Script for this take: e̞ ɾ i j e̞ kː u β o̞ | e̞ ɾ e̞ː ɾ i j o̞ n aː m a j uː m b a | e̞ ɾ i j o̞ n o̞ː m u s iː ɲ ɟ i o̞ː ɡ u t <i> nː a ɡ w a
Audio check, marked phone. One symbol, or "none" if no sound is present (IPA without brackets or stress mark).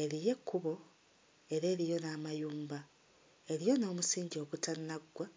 a